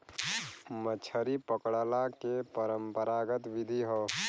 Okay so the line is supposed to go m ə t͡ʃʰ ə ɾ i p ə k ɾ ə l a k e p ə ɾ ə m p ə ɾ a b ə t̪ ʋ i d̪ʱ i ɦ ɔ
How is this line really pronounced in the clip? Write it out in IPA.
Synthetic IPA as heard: m ə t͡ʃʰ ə ɾ i p ə k ɽ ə l a k e p ə ɾ ə m p ə ɾ a ɡ ə t̪ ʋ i d̪ʱ i ɦ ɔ